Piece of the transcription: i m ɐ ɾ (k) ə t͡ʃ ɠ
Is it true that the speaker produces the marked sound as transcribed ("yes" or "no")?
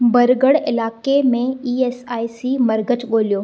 no